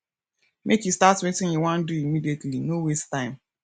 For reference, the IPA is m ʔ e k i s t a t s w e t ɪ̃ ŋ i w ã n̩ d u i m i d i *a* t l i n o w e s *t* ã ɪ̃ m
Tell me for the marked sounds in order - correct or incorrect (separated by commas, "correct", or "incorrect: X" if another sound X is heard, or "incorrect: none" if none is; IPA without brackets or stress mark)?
incorrect: e, correct